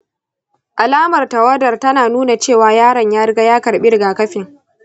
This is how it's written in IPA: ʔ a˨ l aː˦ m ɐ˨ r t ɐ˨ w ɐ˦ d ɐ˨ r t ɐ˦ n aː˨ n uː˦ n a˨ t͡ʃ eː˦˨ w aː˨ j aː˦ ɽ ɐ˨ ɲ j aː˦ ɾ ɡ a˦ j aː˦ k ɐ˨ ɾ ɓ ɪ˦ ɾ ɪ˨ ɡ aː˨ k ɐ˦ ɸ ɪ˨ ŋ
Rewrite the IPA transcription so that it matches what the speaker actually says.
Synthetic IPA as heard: ʔ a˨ l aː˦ m ɐ˨ r t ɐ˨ w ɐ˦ d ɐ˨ r t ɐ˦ n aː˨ n uː˦ n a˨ t͡ʃ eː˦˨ w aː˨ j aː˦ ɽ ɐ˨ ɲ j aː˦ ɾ ɡ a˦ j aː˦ k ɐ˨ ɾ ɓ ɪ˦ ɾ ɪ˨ ɡ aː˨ k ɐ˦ ɸ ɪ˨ ŋ